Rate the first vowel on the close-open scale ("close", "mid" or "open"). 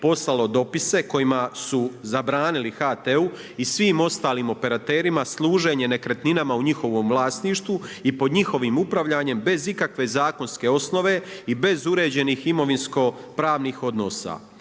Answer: mid